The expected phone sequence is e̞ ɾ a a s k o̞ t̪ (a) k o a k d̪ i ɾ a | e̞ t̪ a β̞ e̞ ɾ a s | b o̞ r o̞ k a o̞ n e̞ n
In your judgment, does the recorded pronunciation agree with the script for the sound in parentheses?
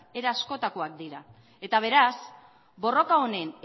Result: yes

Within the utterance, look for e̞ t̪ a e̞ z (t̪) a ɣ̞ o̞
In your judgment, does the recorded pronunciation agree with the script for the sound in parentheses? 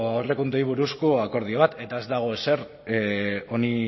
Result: no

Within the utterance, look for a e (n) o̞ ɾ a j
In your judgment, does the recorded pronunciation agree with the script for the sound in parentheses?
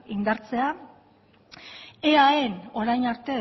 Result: yes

